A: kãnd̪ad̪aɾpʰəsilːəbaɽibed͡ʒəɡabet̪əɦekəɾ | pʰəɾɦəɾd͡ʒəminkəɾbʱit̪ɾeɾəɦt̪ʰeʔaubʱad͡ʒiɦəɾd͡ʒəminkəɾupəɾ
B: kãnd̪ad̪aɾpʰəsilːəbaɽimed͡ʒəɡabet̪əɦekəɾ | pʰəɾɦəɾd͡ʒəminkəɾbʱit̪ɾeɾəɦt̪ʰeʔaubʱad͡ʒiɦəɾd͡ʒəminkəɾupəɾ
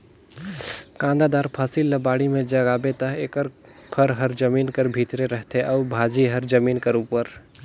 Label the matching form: B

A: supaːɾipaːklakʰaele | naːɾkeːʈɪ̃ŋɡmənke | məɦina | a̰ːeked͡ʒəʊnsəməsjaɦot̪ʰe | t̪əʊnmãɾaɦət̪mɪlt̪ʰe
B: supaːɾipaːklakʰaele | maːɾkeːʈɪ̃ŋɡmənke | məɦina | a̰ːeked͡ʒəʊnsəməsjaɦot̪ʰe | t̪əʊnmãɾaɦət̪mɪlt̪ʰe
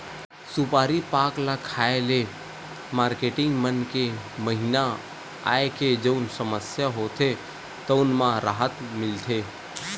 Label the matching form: B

